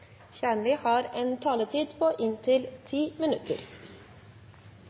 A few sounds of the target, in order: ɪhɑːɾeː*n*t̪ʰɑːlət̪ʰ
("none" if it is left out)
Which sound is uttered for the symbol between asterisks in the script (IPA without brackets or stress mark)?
n